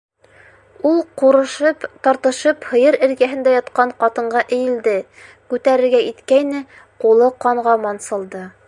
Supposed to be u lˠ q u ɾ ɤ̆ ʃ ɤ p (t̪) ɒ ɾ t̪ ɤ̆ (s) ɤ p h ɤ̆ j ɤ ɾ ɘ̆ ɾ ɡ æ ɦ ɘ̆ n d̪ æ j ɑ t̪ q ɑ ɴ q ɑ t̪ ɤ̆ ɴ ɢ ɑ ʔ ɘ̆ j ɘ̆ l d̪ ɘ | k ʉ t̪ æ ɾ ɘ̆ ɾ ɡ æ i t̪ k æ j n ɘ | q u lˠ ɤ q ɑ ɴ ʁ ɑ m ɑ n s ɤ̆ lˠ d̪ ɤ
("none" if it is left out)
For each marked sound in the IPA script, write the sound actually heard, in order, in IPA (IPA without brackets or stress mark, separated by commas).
t̪, ʃ